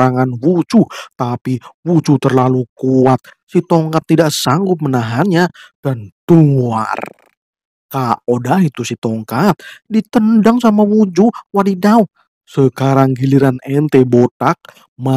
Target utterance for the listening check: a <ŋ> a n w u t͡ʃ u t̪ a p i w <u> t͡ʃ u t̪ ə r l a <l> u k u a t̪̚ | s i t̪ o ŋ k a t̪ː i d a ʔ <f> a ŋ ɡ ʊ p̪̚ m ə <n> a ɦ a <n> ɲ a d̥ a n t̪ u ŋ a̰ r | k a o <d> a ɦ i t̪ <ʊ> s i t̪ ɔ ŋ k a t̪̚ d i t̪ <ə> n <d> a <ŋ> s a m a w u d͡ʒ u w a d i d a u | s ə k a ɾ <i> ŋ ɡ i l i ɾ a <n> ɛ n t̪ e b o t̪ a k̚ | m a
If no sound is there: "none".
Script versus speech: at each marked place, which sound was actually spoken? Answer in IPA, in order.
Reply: ŋ, u, l, s, n, n, d, u, ə, d, ŋ, a, n

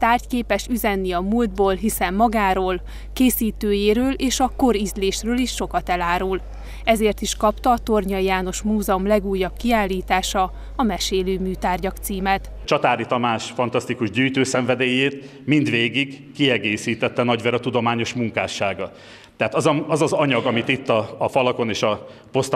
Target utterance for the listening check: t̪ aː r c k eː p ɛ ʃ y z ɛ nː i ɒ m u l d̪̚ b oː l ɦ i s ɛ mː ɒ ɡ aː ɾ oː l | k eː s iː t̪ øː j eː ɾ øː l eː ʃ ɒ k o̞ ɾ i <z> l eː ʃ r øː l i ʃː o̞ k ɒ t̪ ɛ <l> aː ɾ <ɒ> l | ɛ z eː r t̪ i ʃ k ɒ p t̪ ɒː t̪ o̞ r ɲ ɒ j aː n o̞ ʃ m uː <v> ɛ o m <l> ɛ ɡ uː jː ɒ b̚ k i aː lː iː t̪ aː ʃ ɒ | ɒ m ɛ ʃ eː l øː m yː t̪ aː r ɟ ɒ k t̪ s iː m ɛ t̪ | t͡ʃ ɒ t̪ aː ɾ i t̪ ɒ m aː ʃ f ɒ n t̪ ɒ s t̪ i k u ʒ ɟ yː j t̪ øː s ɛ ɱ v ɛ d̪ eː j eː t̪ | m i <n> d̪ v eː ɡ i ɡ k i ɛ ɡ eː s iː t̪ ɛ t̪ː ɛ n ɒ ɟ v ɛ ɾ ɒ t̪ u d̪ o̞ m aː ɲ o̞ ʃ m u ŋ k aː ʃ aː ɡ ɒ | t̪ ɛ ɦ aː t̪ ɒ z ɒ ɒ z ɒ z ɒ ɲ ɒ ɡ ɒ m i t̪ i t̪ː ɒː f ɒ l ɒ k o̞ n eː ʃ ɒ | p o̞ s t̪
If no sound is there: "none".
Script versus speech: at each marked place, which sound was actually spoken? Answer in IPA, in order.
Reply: z, l, u, z, l, n

